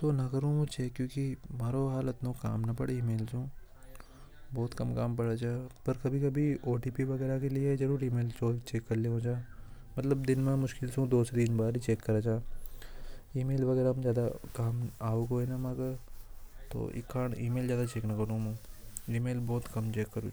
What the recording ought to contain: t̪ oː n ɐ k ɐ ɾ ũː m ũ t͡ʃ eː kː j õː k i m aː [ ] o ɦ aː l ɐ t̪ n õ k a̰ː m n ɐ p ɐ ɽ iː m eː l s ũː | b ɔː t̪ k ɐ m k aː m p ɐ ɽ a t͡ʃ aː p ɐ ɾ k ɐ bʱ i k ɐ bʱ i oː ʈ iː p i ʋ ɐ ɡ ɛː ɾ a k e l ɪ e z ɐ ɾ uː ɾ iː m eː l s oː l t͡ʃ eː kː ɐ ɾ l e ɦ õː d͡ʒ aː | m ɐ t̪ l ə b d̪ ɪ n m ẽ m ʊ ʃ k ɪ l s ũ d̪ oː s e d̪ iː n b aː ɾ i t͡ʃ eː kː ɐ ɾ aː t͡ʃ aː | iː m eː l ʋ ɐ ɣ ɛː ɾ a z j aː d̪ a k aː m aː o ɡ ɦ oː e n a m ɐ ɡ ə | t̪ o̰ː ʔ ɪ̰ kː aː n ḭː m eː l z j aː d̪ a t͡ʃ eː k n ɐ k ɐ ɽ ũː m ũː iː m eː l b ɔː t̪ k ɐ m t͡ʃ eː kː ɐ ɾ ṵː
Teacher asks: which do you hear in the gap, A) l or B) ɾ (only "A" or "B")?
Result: B